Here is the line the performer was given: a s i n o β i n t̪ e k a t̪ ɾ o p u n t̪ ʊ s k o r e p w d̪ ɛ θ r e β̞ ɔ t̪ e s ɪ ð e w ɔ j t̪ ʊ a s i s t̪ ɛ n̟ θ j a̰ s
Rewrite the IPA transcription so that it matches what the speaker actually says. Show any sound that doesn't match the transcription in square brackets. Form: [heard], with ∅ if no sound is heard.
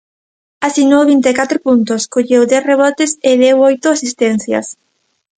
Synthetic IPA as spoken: a s i n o β i n t̪ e k a t̪ ɾ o p u n t̪ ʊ s k o [ʎ] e [∅] w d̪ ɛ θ r e β̞ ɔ t̪ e s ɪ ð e w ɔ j t̪ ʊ a s i s t̪ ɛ n̟ θ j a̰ s